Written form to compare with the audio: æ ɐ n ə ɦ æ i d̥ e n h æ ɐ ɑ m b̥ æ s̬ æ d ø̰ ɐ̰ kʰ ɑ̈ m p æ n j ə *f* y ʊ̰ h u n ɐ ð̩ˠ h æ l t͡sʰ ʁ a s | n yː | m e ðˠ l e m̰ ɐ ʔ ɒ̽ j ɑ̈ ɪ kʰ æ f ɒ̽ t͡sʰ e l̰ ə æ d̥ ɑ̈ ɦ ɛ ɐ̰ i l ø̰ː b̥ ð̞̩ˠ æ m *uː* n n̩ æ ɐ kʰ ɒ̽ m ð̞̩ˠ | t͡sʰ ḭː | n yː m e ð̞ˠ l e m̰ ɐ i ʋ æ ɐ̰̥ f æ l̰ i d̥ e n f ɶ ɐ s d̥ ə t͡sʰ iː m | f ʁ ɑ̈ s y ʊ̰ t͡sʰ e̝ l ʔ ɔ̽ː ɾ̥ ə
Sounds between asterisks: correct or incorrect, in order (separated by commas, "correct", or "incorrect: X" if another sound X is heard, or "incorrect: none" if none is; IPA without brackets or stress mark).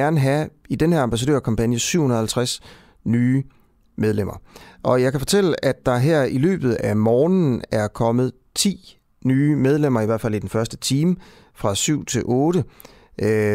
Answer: incorrect: s, incorrect: ɒː